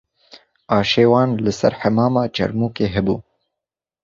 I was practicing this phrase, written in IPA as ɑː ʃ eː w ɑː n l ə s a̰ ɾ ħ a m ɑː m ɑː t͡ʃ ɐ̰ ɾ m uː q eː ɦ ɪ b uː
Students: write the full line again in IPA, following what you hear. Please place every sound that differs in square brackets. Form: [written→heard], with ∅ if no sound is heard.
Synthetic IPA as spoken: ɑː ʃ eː w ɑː n l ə s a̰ ɾ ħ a m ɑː m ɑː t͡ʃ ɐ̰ ɾ m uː [q→k] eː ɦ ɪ b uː